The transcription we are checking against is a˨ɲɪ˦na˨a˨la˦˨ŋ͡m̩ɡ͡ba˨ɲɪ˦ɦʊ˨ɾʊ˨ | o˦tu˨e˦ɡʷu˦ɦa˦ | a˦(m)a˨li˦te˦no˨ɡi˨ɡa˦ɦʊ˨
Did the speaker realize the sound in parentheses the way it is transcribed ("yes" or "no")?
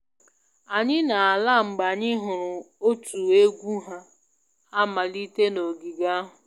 yes